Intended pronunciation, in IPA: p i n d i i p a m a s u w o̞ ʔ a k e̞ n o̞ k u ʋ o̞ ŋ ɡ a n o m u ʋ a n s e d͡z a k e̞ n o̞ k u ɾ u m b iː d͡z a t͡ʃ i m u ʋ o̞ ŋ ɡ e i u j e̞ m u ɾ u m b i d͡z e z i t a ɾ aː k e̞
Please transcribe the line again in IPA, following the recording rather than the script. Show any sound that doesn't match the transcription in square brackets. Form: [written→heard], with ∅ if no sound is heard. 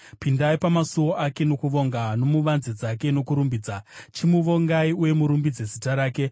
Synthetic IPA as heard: p i n d [i→a] i p a m a s u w o̞ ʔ a k e̞ n o̞ k u ʋ o̞ ŋ ɡ a n o m u ʋ a n [s→z] e d͡z a k e̞ n o̞ k u ɾ u m b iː d͡z a t͡ʃ i m u ʋ o̞ ŋ ɡ [e→a] i u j e̞ m u ɾ u m b i d͡z e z i t a ɾ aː k e̞

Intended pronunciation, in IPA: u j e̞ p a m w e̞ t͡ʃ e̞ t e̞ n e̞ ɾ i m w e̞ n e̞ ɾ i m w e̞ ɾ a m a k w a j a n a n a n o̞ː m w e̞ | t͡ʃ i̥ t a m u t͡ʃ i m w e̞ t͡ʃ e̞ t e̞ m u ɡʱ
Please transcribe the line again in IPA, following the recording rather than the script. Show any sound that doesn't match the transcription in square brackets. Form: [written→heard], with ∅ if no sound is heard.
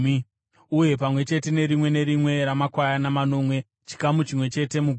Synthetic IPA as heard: u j e̞ p a m w e̞ t͡ʃ e̞ t e̞ n e̞ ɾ i m w e̞ n e̞ ɾ i m w e̞ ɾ a m a k w a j a n a [n→m] a n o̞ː m w e̞ | t͡ʃ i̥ [t→k] a m u t͡ʃ i m w e̞ t͡ʃ e̞ t e̞ m u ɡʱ

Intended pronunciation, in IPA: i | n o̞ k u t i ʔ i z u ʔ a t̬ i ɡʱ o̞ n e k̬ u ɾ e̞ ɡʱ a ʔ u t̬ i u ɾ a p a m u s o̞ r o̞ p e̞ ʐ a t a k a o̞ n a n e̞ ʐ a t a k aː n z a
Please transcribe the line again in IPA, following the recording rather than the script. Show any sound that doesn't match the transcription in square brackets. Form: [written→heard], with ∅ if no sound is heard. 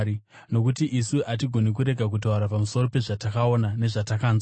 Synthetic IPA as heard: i | n o̞ k u t i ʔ i [z→s] u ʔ a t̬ i ɡʱ o̞ n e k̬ u ɾ e̞ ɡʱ a [ʔ→k] u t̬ [i→a] u ɾ a p a m u s o̞ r o̞ p e̞ ʐ a t a k a o̞ n a n e̞ ʐ a t a k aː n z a

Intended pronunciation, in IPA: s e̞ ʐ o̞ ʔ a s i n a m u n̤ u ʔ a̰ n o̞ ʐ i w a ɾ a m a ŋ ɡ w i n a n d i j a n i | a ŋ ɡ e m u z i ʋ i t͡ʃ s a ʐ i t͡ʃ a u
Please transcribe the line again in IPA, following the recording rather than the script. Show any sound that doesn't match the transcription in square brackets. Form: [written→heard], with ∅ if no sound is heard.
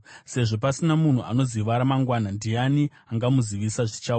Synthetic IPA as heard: s e̞ ʐ o̞ [ʔ→p] a s i n a m u n̤ u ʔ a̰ n o̞ [ʐ→z] i [w→ʋ] a ɾ a m a ŋ ɡ w [i→a] n a n d i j a n i | a ŋ ɡ [e→a] m u z i ʋ i [t͡ʃ→∅] s a ʐ i t͡ʃ a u

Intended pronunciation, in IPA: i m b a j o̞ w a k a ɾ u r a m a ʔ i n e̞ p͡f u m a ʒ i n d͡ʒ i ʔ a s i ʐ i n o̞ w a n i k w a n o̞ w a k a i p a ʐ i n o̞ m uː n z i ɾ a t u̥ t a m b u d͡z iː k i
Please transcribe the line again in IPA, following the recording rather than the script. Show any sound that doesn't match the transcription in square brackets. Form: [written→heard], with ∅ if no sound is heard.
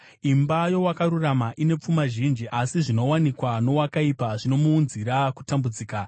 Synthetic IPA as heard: i m b a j o̞ w a k a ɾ u r a m a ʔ i n e̞ p͡f u m a ʒ i n d͡ʒ i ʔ a s i ʐ i n o̞ w a n i k w a n o̞ w a k a i p a ʐ i n o̞ m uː n z i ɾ a [t→k] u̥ t a m b u d͡z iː k [i→a]

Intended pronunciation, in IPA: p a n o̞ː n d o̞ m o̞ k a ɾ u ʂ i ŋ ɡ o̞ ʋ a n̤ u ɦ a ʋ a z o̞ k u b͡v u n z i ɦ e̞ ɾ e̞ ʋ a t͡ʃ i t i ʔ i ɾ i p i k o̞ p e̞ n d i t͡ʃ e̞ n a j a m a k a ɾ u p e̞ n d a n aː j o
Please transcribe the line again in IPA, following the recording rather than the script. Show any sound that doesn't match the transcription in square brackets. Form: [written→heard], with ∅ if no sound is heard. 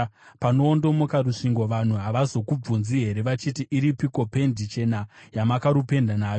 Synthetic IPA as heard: p a n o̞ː n d o̞ m o̞ k a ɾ u ʂ i ŋ ɡ o̞ ʋ a n̤ u ɦ a ʋ a z o̞ k u b͡v u n z i ɦ e̞ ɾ e̞ ʋ a t͡ʃ i t i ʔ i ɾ i p i k o̞ p e̞ n d i t͡ʃ e̞ n a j a m a k a ɾ u p e̞ n d a n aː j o

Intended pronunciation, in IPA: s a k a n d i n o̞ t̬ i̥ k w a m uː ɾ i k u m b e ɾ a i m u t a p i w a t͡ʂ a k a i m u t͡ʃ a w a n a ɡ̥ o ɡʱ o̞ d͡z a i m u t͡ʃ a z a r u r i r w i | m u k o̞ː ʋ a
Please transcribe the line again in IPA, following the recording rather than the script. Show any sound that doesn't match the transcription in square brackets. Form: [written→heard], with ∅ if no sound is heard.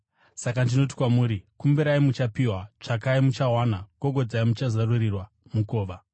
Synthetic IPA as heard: s a k a n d i n o̞ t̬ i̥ k w a m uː ɾ i k u m b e ɾ a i m u [t→t͡ʃ] a p i w a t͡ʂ a k a i m u t͡ʃ a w a n a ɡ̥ o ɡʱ o̞ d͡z a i m u t͡ʃ a z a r u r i r w [i→a] | m u k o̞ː ʋ a

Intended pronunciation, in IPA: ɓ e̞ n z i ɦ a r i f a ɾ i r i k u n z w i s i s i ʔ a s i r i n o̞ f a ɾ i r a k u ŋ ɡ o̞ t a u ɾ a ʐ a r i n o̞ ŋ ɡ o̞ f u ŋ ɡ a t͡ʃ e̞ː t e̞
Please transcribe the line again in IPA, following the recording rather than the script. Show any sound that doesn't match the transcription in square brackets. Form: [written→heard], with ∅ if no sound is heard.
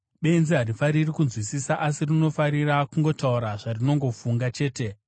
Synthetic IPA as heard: ɓ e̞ n z i ɦ a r i f a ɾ i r i k u n z w i s i s [i→a] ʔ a s i r i n o̞ f a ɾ i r a k u ŋ ɡ o̞ t a u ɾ a ʐ a r i n o̞ ŋ ɡ o̞ f u ŋ ɡ a t͡ʃ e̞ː t e̞

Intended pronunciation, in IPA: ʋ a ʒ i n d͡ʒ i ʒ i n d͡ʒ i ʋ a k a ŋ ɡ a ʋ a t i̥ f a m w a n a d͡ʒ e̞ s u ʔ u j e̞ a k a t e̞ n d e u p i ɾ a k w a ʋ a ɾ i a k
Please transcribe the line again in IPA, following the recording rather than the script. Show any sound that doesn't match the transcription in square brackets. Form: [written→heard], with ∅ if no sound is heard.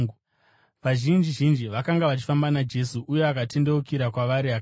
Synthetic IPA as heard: ʋ a ʒ i n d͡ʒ i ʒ i n d͡ʒ i ʋ a k a ŋ ɡ a ʋ a [t→t͡ʃ] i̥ f a m [w→b] a n a d͡ʒ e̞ s u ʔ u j e̞ a k a t e̞ n d e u [p→k] i ɾ a k w a ʋ a ɾ i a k

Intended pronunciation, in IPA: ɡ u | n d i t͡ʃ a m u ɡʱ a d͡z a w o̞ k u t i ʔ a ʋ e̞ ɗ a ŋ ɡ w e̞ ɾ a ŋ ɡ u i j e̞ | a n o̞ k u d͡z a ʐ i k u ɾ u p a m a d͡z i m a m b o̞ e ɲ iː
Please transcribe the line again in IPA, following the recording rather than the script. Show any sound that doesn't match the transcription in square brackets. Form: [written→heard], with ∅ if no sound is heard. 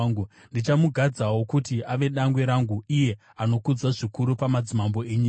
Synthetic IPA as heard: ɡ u | n d i t͡ʃ a m u ɡʱ a d͡z a w o̞ k u t i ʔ a ʋ e̞ ɗ a ŋ ɡ w e̞ ɾ a ŋ ɡ u i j e̞ | a n o̞ k u d͡z a ʐ i k u ɾ u p a m a d͡z i m a m b o̞ e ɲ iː

